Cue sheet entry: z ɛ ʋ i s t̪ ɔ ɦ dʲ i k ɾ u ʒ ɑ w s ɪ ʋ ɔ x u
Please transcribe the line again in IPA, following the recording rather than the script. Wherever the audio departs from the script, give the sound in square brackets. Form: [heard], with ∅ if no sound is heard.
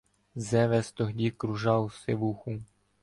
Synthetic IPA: z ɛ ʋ [ɛ] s t̪ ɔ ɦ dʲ i k ɾ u ʒ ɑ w s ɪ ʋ [u] x u